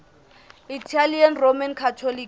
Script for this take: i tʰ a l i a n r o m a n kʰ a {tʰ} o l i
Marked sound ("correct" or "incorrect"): correct